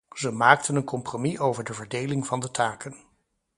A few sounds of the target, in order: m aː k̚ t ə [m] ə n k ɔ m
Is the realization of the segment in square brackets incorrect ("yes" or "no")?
yes